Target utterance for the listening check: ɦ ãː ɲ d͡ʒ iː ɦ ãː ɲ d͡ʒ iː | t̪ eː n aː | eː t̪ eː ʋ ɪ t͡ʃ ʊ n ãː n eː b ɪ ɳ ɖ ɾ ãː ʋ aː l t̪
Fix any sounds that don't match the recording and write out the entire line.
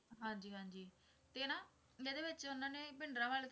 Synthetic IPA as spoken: ɦ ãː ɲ d͡ʒ iː ɦ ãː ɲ d͡ʒ iː | t̪ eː n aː | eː d̪ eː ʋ ɪ t͡ʃ ʊ n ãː n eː b ɪ ɳ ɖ ɾ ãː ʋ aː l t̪